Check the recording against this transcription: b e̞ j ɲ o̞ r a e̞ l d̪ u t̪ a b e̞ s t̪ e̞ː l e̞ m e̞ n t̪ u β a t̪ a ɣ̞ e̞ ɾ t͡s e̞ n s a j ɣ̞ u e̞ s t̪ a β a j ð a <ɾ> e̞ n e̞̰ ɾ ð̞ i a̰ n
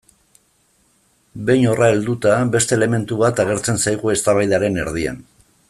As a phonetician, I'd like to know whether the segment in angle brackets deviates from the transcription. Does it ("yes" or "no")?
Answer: no